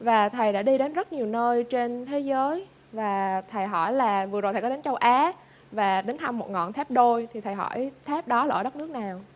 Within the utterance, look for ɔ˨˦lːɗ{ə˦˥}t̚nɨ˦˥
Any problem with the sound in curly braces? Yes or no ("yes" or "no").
no